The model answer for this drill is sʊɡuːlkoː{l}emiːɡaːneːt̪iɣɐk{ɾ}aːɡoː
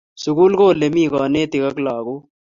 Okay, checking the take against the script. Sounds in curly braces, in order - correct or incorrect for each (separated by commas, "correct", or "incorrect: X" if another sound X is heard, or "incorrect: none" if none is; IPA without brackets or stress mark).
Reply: correct, incorrect: l